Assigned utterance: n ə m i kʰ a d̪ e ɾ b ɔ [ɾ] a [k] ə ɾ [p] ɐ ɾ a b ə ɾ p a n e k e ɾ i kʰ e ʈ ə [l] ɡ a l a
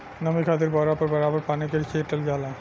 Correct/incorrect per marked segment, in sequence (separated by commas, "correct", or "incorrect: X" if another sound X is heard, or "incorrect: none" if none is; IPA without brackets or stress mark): correct, incorrect: p, incorrect: b, correct